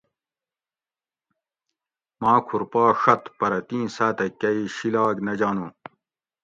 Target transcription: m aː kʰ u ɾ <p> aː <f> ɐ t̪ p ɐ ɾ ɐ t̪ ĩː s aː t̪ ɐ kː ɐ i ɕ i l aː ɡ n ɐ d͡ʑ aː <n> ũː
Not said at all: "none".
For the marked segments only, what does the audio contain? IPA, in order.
p, ʂ, n

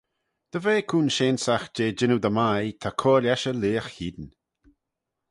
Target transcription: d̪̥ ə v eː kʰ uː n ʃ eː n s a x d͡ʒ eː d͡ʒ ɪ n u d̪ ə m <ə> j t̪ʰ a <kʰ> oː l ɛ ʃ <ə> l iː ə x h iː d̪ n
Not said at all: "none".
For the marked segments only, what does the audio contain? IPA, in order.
a, kʰ, ə

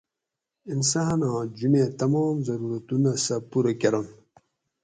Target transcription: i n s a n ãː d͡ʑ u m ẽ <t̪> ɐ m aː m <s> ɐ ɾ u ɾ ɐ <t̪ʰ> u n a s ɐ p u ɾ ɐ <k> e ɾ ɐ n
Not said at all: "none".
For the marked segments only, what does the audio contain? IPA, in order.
t̪, z, t̪, k

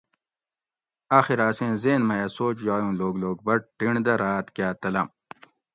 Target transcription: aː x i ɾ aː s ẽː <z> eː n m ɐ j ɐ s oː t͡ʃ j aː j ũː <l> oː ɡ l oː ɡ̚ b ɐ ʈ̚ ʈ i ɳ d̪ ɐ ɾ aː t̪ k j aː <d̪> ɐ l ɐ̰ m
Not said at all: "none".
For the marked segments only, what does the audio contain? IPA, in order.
z, l, t̪

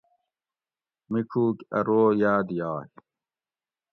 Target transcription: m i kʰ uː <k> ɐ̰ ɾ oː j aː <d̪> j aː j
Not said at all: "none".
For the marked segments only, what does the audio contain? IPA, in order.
k, d̪

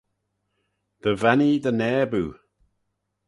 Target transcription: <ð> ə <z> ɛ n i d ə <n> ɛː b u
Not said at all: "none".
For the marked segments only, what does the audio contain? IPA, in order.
ð, v, n

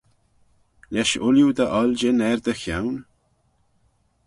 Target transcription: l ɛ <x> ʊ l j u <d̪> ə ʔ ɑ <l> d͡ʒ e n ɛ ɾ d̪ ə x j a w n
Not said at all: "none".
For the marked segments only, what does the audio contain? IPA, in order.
ʃ, d̪, l

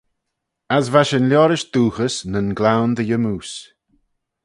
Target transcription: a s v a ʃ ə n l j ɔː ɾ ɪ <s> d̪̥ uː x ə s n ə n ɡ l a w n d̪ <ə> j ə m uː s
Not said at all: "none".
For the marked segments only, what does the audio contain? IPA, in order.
ʃ, ə

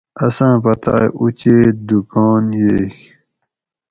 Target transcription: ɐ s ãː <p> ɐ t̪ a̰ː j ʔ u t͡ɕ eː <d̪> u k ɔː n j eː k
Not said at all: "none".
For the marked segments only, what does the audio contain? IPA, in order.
p, d̪

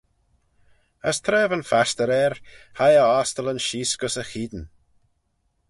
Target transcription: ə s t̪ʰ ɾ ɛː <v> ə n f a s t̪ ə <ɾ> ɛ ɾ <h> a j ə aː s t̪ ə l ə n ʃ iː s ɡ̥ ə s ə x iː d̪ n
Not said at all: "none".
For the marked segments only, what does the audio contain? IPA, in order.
v, ɾ, h

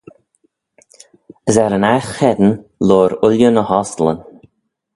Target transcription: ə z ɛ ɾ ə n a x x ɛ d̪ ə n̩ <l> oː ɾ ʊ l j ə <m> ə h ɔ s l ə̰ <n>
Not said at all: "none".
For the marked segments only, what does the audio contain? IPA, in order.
l, n, n

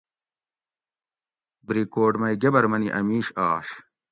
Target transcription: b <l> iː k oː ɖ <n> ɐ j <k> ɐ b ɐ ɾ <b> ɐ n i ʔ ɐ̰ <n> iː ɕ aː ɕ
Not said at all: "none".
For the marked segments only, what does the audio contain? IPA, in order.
ɾ, m, ɡ, m, m

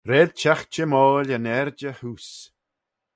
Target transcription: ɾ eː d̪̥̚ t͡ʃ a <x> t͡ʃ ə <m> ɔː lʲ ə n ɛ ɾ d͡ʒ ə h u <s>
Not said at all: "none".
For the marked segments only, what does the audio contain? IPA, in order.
x, m, s

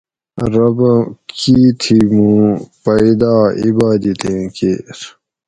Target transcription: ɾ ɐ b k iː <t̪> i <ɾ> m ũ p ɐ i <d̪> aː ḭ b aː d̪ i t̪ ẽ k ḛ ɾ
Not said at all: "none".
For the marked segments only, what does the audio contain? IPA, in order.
t̪ʰ, none, d̪

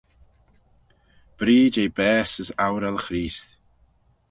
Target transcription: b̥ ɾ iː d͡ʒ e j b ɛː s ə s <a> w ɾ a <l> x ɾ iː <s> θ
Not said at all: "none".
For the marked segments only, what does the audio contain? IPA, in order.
a, l, s

